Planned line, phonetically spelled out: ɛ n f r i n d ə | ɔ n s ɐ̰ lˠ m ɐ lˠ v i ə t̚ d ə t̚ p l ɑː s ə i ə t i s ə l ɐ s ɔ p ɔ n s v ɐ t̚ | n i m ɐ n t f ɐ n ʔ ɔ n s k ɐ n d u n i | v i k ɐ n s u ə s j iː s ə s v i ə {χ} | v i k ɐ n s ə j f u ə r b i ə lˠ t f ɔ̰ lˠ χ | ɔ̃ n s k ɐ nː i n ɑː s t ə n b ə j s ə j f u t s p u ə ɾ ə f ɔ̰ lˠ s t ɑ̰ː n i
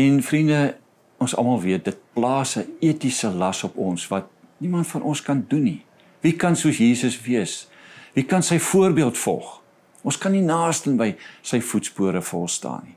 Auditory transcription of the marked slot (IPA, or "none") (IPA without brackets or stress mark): s